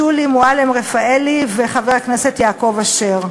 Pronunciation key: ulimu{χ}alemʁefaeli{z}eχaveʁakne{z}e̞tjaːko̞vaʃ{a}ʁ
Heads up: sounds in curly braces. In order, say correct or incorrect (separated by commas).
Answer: incorrect, incorrect, incorrect, incorrect